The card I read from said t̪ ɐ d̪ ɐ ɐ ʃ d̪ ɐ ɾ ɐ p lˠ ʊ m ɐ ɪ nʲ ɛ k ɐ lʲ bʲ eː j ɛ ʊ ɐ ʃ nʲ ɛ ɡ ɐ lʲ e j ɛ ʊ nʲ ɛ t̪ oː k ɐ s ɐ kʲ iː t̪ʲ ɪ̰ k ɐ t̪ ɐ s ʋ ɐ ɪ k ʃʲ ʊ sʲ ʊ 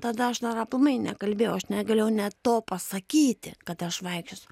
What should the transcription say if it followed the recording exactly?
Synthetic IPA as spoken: t̪ ɐ d̪ ɐ ɐ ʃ d̪ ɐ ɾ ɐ p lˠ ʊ m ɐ ɪ nʲ ɛ k ɐ lʲ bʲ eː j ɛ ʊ ɐ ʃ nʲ ɛ ɡ ɐ lʲ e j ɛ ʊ nʲ ɛ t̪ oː p ɐ s ɐ kʲ iː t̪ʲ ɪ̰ k ɐ t̪ ɐ ʃ ʋ ɐ ɪ k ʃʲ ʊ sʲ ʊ